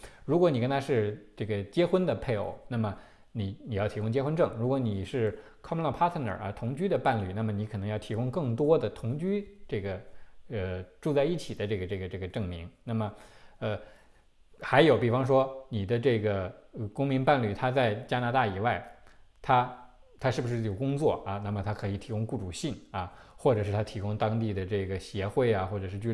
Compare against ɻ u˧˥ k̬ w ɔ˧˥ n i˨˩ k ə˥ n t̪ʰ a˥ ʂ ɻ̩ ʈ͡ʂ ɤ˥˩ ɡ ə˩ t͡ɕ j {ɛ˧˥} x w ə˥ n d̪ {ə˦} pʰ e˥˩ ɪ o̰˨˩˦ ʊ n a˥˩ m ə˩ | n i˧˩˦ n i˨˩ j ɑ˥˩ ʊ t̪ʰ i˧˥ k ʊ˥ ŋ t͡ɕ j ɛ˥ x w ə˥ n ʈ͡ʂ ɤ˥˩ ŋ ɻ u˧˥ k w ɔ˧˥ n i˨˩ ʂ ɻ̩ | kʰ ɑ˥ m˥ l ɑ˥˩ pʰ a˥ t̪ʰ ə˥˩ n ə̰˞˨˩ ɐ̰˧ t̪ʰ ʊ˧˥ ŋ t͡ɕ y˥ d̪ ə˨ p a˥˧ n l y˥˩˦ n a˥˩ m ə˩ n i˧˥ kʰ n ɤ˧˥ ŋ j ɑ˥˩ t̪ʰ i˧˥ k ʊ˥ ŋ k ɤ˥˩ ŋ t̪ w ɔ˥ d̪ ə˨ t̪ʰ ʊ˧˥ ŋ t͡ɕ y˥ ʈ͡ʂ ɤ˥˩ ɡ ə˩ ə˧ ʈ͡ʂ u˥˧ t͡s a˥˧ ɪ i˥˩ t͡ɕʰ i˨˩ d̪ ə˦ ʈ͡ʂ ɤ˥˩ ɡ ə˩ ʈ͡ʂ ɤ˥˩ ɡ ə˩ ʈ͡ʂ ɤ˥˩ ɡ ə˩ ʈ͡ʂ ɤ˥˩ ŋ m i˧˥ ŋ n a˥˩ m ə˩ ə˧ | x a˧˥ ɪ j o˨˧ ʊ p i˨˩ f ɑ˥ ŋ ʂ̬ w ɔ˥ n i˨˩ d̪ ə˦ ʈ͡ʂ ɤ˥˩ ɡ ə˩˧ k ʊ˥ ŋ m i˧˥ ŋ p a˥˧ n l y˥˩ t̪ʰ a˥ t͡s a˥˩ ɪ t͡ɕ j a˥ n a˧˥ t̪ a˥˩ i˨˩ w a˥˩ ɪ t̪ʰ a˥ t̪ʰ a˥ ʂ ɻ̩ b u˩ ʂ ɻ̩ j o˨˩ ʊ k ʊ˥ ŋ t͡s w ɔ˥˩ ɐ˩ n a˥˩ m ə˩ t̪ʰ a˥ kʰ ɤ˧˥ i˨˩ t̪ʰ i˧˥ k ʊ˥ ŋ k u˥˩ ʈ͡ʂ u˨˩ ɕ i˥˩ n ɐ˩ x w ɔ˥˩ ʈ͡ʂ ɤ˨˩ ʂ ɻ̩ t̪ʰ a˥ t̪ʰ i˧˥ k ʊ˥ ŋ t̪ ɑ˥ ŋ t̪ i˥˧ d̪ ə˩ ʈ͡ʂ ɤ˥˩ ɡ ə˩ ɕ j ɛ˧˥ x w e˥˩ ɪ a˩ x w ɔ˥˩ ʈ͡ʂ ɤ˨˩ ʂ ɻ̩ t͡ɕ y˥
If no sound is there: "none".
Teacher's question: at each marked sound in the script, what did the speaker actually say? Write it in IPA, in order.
ɛ˥, ə˨

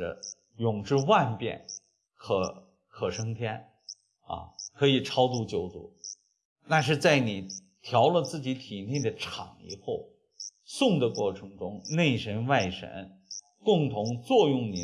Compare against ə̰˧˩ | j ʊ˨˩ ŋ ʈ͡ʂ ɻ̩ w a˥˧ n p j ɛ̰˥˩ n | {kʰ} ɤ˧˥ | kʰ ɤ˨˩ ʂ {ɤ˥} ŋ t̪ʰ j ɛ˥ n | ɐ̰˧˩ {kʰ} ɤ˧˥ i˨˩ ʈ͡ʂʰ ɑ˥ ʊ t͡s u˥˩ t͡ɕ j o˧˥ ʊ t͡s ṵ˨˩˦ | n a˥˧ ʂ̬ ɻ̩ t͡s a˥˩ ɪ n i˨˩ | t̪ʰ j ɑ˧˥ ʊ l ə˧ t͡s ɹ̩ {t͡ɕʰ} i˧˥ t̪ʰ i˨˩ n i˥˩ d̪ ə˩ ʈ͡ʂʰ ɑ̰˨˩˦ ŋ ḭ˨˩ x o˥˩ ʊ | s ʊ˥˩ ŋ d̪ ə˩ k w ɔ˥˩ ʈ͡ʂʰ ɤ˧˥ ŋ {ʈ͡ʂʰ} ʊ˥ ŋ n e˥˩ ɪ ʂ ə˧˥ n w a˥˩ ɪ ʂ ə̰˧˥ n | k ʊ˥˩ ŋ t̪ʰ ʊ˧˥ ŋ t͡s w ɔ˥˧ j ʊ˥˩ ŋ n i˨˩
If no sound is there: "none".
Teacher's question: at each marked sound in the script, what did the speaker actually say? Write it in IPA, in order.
kʰ, ɤ˥, kʰ, t͡ɕ, ʈ͡ʂ

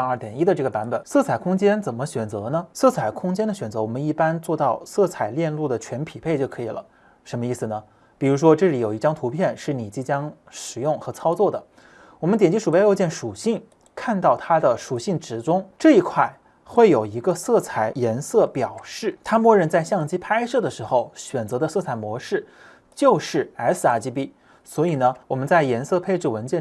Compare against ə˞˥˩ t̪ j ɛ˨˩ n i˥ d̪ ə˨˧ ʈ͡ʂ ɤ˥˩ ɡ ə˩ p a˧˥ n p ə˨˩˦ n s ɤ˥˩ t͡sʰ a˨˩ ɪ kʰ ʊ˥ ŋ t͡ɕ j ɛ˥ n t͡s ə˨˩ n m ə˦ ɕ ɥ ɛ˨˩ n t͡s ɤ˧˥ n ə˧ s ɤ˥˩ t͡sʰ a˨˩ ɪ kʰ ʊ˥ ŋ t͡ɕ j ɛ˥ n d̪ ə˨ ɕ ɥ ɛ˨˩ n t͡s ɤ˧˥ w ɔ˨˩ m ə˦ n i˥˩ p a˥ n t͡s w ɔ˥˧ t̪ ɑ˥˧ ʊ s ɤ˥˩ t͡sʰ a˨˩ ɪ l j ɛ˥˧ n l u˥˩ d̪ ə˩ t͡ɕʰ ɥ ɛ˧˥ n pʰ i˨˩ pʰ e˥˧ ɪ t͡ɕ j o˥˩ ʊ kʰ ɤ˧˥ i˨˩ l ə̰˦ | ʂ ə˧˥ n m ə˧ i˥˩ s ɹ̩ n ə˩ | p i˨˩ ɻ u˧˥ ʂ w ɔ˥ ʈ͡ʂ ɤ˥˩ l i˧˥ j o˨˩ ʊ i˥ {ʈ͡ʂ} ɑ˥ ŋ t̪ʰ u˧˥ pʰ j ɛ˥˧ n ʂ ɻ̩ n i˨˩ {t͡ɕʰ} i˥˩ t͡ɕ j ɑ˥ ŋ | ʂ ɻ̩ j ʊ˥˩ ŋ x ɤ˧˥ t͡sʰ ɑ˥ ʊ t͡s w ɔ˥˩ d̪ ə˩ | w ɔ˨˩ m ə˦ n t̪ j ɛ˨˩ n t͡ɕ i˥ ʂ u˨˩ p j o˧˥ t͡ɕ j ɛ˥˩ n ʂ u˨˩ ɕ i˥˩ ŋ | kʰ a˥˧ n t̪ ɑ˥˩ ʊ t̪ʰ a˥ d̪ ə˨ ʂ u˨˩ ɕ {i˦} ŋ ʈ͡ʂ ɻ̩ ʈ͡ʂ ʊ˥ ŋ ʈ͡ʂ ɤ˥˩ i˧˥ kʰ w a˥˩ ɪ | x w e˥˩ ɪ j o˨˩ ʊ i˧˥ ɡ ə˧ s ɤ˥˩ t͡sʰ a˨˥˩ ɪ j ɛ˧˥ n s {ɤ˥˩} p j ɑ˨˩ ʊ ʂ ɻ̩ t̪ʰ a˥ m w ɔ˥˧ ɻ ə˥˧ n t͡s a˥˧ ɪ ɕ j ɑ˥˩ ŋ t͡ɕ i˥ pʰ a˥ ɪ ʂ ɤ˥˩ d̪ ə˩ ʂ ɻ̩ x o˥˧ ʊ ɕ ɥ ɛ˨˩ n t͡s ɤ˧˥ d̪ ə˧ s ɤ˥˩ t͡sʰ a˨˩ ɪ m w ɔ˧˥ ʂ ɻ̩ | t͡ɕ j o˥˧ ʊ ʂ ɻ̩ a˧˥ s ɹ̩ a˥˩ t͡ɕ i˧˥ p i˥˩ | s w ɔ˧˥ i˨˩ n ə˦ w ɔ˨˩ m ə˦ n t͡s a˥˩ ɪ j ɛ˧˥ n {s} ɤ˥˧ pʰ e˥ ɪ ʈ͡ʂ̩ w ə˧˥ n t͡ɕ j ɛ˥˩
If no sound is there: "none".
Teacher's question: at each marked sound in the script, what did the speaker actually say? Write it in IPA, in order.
ʈ͡ʂ, t͡ɕ, i˥˩, ɤ˥˩, s

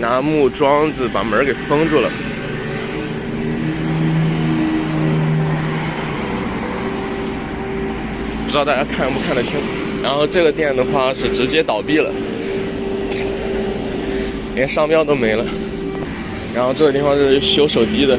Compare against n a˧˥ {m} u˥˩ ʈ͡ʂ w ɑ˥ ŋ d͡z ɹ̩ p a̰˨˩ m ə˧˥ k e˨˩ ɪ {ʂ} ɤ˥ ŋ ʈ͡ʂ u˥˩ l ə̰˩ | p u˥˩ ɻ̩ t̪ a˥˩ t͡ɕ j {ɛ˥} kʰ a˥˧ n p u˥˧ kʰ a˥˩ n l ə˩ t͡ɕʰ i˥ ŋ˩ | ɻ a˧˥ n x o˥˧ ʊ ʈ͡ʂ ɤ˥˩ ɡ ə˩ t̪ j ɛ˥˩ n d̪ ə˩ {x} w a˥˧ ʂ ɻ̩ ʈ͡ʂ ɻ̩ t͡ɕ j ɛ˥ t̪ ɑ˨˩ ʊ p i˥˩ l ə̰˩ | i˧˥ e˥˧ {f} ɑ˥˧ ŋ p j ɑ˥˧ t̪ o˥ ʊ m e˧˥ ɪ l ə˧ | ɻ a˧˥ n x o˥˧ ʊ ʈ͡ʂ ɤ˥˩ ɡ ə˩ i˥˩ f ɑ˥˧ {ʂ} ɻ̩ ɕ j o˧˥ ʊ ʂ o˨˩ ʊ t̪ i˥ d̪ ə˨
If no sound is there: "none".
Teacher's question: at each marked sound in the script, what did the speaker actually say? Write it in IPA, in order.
m, f, a˥, x, ʂ, ʂ

